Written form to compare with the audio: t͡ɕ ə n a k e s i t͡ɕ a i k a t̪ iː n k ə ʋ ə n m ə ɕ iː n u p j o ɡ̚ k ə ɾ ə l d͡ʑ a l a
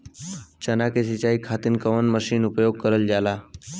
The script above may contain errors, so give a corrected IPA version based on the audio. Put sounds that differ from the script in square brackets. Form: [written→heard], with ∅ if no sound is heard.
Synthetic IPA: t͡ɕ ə n a k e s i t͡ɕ a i [k→kʰ] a t̪ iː n k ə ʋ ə n m ə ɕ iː n u p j o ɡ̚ k ə ɾ ə l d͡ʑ a l a

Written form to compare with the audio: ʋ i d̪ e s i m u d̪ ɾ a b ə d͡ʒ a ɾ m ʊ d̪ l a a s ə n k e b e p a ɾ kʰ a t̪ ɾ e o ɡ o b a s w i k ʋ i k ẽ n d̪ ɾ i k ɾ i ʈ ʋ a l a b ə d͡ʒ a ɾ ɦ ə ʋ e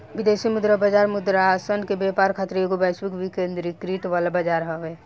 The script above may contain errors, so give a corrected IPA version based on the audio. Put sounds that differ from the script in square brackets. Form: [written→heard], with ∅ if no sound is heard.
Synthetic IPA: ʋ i d̪ e s i m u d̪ ɾ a b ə d͡ʒ a ɾ m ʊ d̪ [l→ɾ] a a s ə n k e b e p a ɾ kʰ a t̪ ɾ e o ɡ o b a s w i k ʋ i k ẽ n d̪ ɾ i k ɾ i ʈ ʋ a l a b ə d͡ʒ a ɾ ɦ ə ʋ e

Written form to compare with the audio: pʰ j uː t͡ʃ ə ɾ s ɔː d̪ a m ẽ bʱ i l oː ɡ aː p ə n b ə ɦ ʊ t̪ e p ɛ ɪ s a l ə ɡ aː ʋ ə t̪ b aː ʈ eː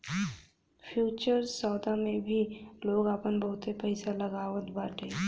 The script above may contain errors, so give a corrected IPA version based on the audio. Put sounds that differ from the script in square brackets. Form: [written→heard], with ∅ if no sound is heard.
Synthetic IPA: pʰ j uː t͡ʃ ə ɾ s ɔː d̪ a m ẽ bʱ i l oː ɡ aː p ə n b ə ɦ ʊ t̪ e p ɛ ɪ s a l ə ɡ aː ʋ ə t̪ b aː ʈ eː

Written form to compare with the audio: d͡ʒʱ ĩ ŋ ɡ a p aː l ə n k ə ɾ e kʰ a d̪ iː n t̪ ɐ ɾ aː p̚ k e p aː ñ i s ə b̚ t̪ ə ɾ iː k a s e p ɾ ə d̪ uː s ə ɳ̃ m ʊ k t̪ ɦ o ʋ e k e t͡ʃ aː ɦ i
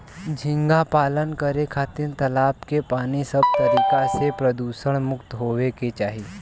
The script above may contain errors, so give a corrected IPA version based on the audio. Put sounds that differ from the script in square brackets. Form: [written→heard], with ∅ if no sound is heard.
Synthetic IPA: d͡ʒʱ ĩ ŋ ɡ a p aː l ə n k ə ɾ e kʰ a [d̪→t̪] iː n t̪ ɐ [ɾ→l] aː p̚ k e p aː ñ i s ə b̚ t̪ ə ɾ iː k a s e p ɾ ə d̪ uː s ə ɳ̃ m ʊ k t̪ ɦ o ʋ e k e t͡ʃ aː ɦ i

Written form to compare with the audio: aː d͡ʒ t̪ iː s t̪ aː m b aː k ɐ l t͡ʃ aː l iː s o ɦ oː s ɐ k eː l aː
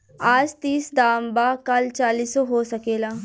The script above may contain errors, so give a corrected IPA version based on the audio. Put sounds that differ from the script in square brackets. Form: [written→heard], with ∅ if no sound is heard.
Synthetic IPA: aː d͡ʒ t̪ iː s [t̪→d̪] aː m b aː k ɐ l t͡ʃ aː l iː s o ɦ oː s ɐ k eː l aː

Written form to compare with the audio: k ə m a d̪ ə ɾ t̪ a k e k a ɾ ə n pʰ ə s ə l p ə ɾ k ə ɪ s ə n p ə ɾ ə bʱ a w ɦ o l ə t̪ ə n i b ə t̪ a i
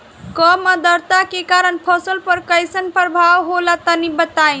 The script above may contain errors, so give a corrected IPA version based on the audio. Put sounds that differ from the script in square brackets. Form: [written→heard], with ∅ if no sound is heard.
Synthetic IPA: k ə m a d̪ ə ɾ t̪ a k e k a ɾ ə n pʰ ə s ə l p ə ɾ k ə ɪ s ə n p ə ɾ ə bʱ a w ɦ o l [ə→a] t̪ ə n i b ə t̪ a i

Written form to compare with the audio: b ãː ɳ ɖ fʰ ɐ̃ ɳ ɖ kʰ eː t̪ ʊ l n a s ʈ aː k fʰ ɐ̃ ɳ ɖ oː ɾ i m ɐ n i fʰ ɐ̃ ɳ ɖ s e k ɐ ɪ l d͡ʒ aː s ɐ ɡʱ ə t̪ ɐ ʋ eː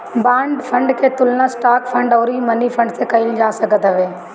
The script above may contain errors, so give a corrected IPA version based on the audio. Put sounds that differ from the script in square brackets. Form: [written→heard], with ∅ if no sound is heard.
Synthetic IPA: b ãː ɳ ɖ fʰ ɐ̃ ɳ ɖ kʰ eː t̪ ʊ l n a s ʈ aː k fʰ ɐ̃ ɳ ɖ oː ɾ i m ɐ n i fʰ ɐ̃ ɳ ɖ s e k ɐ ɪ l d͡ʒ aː s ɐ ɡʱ ə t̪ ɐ ʋ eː

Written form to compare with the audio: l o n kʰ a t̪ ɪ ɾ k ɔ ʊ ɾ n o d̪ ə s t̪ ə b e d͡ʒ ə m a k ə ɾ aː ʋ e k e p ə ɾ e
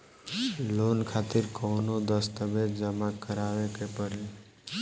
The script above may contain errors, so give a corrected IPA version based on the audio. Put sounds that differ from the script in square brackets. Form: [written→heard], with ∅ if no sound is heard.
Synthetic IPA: l o n kʰ a t̪ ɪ ɾ k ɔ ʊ [ɾ→∅] n o d̪ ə s t̪ ə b e d͡ʒ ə m a k ə ɾ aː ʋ e k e p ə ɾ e

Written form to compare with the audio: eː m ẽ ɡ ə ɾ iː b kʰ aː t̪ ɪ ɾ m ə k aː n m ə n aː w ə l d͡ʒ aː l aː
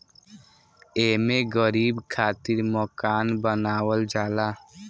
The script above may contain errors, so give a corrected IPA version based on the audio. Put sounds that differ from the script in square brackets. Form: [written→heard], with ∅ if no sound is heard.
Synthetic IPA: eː m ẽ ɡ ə ɾ iː b kʰ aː t̪ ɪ ɾ m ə k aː n [m→b] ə n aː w ə l d͡ʒ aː l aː

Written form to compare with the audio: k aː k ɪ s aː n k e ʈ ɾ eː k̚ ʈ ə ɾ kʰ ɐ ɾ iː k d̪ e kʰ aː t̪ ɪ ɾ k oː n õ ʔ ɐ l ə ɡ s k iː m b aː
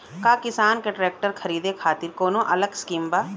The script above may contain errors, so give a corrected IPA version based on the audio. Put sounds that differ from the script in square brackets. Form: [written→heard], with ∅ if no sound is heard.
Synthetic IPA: k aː k ɪ s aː n k e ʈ ɾ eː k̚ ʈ ə ɾ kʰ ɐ ɾ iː [k→∅] d̪ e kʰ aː t̪ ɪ ɾ k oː n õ ʔ ɐ l ə ɡ s k iː m b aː

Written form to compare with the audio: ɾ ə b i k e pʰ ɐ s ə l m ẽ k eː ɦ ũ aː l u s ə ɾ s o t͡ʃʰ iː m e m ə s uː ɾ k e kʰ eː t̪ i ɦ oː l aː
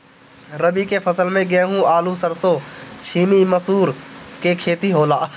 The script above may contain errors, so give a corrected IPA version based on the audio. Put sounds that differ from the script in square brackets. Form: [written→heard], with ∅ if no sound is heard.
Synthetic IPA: ɾ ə b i k e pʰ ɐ s ə l m ẽ [k→ɡ] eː ɦ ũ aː l u s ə ɾ s o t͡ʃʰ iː m [e→i] m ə s uː ɾ k e kʰ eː t̪ i ɦ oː l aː

